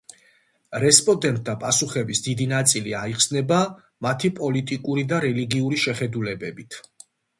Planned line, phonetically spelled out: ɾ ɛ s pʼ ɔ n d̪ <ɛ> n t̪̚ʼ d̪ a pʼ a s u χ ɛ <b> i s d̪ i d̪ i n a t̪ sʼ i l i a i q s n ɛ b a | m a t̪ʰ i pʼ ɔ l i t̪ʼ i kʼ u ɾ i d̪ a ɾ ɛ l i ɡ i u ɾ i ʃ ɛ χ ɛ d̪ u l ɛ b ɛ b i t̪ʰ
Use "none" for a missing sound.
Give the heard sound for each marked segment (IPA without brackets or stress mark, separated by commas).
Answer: ɛ, b